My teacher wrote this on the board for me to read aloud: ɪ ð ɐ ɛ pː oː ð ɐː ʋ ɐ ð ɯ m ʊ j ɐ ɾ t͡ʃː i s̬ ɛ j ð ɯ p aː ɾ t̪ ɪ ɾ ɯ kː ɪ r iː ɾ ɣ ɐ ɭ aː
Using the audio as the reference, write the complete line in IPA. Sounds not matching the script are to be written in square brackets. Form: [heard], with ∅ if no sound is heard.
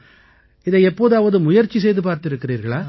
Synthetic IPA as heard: ɪ ð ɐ ɛ pː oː ð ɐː ʋ ɐ ð ɯ m ʊ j ɐ ɾ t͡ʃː i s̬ ɛ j ð ɯ p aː ɾ t̪ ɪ ɾ ɯ kː ɪ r iː ɾ ɣ ɐ ɭ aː

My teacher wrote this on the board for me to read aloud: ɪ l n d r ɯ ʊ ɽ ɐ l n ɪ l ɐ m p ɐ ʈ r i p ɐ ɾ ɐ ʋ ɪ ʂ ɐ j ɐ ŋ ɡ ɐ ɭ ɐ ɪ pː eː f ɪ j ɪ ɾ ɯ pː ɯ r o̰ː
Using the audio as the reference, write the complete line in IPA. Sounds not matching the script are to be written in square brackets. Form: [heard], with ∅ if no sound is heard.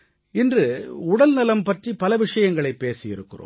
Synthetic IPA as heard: ɪ [∅] n d r ɯ ʊ ɽ ɐ l n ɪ l ɐ m p ɐ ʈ r i p ɐ [l] ɐ ʋ ɪ ʂ ɐ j ɐ ŋ ɡ ɐ ɭ ɐ ɪ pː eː [s] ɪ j ɪ ɾ ɯ [kː] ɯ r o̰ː

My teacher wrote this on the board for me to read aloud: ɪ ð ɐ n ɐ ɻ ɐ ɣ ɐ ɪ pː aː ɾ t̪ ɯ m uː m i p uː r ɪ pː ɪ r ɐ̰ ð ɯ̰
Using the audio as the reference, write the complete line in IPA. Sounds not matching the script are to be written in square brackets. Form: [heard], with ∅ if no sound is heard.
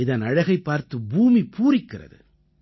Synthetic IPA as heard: ɪ ð ɐ n ɐ ɻ ɐ ɣ ɐ ɪ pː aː ɾ t̪ ɯ [b] uː m i p uː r ɪ [kː] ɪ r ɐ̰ ð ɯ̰

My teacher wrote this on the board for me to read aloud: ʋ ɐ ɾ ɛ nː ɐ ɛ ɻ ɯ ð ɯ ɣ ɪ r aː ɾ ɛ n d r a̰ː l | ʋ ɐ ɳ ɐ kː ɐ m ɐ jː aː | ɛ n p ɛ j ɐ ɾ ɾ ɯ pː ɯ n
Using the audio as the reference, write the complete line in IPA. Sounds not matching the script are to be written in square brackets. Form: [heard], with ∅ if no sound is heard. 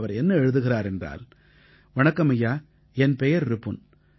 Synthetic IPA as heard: ʋ ɐ ɾ ɛ nː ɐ ɛ ɻ ɯ ð ɯ ɣ ɪ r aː ɾ ɛ n d r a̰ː l | ʋ ɐ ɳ ɐ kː ɐ m ɐ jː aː | ɛ n p ɛ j ɐ ɾ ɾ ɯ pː ɯ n

